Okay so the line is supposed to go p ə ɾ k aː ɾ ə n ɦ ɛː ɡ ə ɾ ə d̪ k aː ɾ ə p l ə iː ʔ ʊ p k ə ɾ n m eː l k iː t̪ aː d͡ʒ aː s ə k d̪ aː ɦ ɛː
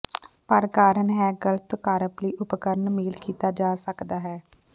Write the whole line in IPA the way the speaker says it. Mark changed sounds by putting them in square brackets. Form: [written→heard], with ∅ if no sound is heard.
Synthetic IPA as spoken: p ə ɾ k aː ɾ ə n ɦ ɛː ɡ ə [ɾ→l] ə [d̪→t̪] k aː ɾ ə p l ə iː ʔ ʊ p k ə ɾ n m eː l k iː t̪ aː d͡ʒ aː s ə k d̪ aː ɦ ɛː